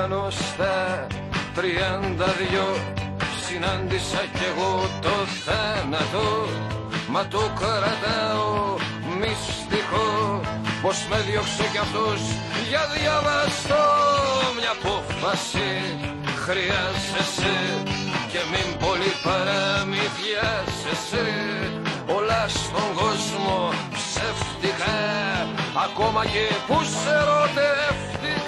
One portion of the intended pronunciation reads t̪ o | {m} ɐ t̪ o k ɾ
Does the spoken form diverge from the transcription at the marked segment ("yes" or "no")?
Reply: no